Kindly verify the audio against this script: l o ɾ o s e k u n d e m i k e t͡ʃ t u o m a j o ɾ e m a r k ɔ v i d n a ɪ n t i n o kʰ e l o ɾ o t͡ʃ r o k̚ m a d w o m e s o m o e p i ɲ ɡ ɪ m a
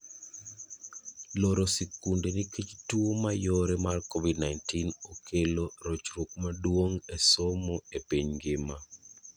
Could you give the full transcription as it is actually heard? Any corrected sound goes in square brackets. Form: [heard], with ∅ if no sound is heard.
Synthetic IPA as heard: l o ɾ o s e k u n d e [n] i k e t͡ʃ t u o m a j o ɾ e m a r k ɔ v i d n a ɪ n t i n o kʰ e l o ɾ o t͡ʃ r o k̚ m a d w o [ŋ] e s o m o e p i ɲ ɡ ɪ m a

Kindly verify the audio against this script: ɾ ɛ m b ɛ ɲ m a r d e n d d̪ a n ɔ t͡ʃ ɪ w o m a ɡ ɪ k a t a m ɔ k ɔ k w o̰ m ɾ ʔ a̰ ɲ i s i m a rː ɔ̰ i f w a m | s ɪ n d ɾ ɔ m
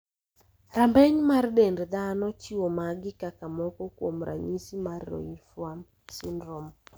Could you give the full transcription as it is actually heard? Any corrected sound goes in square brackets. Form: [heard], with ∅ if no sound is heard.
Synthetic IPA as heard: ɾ [a] m b ɛ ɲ m a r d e n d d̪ a n ɔ t͡ʃ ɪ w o m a ɡ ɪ k a [k] a m ɔ k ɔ k w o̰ m ɾ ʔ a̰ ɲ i s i m a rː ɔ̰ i f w a m | s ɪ n d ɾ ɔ m

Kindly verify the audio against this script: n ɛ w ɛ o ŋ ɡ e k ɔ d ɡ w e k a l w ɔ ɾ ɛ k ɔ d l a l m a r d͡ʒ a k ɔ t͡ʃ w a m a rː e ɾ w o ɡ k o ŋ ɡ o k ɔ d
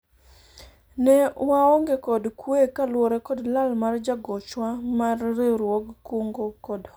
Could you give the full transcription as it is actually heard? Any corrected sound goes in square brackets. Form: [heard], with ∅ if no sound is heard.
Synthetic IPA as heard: n ɛ w [a] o ŋ ɡ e k ɔ d [k] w e k a l w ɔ ɾ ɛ k ɔ d l a l m a r d͡ʒ a [ɡ] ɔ t͡ʃ w a m a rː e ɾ w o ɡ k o ŋ ɡ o k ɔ d

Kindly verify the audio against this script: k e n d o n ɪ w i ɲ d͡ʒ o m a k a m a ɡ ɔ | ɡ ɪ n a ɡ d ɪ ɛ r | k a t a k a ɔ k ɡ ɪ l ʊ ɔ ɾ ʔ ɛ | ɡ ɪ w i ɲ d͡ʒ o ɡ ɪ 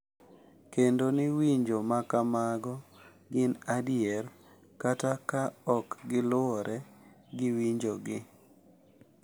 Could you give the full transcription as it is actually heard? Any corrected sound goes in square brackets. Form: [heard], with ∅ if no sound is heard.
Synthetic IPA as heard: k e n d o n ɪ w i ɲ d͡ʒ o m a k a m a ɡ ɔ | ɡ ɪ n a [∅] d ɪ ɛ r | k a t a k a ɔ k ɡ ɪ l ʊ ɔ ɾ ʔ ɛ | ɡ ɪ w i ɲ d͡ʒ o ɡ ɪ

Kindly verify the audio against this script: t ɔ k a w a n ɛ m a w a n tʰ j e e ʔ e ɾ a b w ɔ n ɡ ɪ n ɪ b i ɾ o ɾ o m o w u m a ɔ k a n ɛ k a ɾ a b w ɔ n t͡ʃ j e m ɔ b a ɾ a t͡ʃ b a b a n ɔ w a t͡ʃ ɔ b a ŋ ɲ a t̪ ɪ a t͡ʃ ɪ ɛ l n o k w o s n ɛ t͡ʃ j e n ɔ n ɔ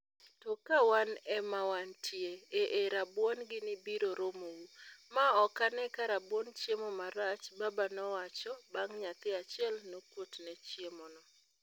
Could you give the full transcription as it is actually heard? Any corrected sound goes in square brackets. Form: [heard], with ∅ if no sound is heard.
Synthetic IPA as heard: t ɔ k a w a n ɛ m a w a n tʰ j e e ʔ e ɾ a b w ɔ n ɡ ɪ n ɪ b i ɾ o ɾ o m o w u m a ɔ k a n ɛ k a ɾ a b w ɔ n t͡ʃ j e m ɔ [m] a ɾ a t͡ʃ b a b a n ɔ w a t͡ʃ ɔ b a ŋ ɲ a t̪ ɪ a t͡ʃ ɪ ɛ l n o k w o [t] n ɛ t͡ʃ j e [m] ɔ n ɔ

